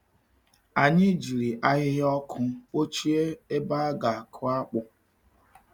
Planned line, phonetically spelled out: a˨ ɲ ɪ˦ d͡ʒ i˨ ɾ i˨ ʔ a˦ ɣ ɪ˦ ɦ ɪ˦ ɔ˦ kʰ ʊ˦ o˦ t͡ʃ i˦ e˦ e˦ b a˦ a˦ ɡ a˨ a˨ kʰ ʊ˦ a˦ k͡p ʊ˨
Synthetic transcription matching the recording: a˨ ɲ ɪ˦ d͡ʒ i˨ ɾ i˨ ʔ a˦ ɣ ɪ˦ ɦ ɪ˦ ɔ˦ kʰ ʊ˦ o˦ t͡ʃ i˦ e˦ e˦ b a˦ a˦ ɡ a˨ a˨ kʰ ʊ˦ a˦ k͡p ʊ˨